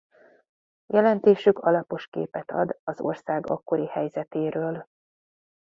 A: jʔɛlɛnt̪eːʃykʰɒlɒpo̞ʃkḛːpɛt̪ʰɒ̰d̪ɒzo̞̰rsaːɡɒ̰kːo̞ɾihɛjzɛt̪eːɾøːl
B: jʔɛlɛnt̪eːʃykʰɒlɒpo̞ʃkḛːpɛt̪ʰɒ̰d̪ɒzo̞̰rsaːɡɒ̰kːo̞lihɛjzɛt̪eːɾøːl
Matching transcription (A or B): A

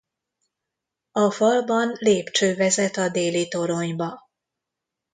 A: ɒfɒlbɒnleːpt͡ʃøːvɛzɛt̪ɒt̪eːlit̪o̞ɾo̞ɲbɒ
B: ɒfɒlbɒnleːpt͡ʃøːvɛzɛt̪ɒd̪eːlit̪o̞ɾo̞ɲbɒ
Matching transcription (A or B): B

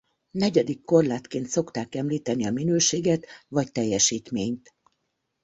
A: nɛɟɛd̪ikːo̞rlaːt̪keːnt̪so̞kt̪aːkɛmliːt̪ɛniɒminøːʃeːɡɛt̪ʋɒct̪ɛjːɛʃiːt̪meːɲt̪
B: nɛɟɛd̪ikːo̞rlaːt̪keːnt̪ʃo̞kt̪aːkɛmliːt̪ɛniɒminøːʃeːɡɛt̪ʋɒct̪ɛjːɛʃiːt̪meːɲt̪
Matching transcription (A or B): A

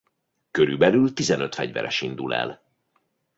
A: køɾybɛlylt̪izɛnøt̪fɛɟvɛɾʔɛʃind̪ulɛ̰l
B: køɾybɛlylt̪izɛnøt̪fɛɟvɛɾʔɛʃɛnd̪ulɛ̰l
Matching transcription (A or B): A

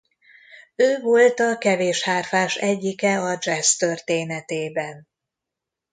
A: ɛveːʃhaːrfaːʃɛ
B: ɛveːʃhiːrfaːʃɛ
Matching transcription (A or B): A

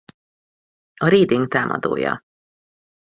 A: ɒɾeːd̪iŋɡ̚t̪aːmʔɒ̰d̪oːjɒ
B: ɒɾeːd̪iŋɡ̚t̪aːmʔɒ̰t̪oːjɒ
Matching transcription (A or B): A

